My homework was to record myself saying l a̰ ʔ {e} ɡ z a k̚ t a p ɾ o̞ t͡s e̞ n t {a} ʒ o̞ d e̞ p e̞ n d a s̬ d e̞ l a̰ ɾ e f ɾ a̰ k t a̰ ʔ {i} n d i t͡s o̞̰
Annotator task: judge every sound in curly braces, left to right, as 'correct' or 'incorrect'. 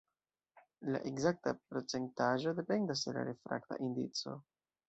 correct, correct, correct

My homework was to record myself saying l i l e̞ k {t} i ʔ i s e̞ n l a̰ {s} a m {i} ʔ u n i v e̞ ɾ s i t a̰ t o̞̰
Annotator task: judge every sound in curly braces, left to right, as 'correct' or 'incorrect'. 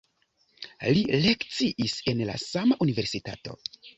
incorrect, correct, incorrect

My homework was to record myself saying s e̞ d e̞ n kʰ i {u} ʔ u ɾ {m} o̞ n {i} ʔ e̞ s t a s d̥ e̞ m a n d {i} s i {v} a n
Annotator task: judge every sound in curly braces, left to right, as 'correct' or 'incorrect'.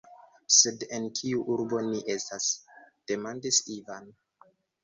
correct, incorrect, correct, correct, correct

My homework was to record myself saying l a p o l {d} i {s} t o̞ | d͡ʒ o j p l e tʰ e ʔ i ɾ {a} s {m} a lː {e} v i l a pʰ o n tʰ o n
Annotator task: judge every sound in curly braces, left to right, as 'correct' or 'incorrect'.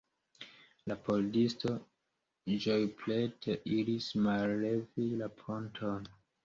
correct, correct, incorrect, correct, correct

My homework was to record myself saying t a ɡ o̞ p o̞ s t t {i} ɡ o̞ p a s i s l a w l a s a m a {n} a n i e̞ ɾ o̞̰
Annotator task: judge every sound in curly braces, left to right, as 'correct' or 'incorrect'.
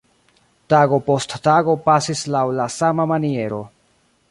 incorrect, incorrect

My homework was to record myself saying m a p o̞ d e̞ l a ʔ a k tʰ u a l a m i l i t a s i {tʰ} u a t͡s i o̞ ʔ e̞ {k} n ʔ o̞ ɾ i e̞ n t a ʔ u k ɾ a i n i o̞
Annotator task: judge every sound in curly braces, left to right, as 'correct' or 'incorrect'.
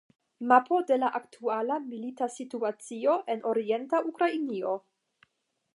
incorrect, incorrect

